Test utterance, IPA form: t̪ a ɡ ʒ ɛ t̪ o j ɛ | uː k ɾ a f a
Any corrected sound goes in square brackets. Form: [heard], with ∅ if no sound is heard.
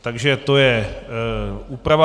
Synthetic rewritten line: t̪ a ɡ ʒ ɛ t̪ o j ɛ | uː [p] ɾ a [v] a